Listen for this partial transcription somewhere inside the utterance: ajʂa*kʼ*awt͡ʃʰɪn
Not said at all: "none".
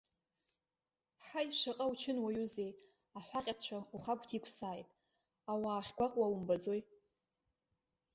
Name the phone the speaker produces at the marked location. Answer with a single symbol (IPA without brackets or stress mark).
qʼ